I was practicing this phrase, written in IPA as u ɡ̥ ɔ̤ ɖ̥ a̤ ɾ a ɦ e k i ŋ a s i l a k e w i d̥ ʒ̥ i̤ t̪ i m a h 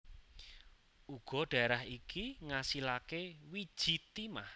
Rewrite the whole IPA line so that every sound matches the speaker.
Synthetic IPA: u ɡ̥ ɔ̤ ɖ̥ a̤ ɾ a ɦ i k i ŋ a s i l a k e w i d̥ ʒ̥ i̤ t̪ i m a h

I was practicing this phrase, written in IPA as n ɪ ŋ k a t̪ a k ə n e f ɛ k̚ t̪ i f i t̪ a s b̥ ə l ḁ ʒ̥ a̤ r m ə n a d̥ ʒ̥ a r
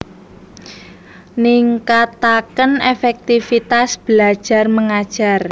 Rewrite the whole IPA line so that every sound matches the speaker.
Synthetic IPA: n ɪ ŋ k a t̪ a k ə n e f ɛ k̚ t̪ i f i t̪ a s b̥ ə l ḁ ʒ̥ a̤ r m ə ŋ a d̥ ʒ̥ a r

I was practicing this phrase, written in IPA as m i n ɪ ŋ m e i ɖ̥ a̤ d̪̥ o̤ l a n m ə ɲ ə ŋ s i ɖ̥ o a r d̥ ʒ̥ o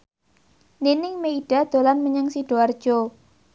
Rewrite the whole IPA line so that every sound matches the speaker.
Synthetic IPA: n i n ɪ ŋ m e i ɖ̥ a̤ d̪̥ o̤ l a n m ə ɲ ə ŋ s i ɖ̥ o a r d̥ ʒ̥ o

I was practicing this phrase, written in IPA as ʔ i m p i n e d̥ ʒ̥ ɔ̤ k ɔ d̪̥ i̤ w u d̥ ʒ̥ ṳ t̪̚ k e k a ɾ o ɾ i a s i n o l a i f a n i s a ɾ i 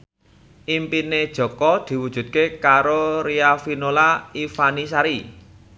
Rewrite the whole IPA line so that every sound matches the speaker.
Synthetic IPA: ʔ i m p i n e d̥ ʒ̥ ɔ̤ k ɔ d̪̥ i̤ w u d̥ ʒ̥ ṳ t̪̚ k e k a ɾ o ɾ i a f i n o l a i f a n i s a ɾ i

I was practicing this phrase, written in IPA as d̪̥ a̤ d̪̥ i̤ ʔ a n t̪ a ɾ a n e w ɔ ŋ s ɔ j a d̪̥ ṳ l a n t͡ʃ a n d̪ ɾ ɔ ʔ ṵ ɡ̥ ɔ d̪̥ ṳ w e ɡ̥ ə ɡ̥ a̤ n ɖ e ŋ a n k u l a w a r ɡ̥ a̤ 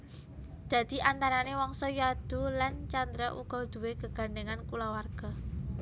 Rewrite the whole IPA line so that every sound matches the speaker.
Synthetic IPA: d̪̥ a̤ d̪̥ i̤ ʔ a n t̪ a ɾ a n e w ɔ ŋ s ɔ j a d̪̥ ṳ l a n t͡ʃ a n d̪ ɾ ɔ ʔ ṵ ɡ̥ ɔ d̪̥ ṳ w e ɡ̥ ə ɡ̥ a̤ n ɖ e ŋ a n k u l a w a r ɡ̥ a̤

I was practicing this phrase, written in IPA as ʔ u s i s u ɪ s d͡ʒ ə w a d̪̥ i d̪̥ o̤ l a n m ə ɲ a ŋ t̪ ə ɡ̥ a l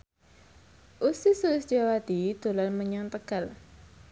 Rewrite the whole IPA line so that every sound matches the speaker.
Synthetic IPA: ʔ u s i s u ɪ s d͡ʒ a w a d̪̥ i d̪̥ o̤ l a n m ə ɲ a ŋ t̪ ə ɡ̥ a l

